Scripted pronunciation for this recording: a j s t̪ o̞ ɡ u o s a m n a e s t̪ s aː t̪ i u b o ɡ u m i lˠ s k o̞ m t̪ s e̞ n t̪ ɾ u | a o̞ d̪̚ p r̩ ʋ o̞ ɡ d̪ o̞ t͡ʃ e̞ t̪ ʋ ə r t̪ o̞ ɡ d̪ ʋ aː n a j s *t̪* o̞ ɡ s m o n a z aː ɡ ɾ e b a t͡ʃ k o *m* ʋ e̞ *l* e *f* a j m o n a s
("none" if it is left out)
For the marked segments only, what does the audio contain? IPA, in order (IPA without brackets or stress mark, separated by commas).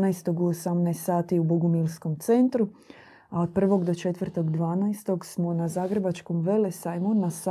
t̪, m, l, s